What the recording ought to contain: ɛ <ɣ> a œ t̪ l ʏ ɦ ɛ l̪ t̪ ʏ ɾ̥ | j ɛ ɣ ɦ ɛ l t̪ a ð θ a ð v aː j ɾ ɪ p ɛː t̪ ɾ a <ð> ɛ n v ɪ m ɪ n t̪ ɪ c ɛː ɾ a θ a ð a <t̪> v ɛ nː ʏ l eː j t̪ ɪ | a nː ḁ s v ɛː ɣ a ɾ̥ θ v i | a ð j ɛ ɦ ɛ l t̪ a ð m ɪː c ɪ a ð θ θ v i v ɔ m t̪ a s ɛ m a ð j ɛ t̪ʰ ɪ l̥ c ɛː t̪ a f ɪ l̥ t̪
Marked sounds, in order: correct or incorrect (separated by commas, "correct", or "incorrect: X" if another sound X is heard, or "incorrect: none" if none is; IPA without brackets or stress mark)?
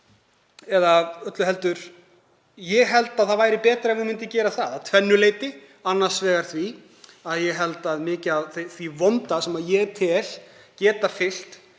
incorrect: ð, incorrect: none, incorrect: t̪ʰ